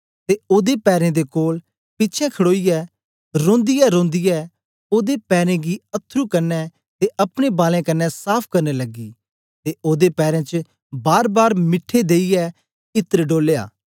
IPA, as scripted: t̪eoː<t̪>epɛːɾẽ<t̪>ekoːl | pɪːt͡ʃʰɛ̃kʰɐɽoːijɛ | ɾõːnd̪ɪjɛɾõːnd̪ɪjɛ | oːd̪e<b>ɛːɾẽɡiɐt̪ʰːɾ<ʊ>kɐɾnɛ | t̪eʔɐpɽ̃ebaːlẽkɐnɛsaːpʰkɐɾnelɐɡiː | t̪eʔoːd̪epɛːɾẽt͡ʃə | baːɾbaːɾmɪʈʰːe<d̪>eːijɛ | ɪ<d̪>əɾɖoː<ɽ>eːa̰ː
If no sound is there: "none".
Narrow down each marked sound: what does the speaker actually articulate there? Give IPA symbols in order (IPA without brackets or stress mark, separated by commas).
d̪, d̪, p, u, d̪, t̪, l